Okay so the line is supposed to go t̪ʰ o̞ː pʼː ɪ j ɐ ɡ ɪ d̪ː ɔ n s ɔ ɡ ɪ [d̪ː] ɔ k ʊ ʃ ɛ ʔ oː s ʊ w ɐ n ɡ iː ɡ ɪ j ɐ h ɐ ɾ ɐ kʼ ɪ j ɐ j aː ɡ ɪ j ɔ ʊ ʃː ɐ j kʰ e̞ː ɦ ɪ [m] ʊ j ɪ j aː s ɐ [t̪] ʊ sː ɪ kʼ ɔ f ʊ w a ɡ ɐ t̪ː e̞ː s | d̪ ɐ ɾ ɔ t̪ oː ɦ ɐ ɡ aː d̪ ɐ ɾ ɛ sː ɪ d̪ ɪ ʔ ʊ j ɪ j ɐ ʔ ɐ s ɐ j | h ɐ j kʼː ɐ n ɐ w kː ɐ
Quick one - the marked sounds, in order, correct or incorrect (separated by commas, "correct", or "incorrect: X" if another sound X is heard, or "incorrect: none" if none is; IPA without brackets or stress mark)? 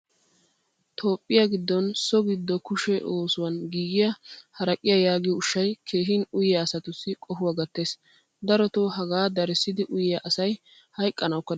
correct, incorrect: n, correct